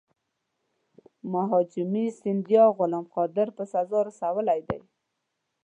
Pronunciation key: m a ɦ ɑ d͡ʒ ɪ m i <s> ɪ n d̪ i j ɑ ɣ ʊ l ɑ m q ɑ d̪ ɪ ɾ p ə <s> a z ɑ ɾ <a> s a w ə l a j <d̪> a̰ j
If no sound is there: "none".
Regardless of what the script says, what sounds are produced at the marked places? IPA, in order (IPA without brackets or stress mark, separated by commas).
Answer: s, s, a, d̪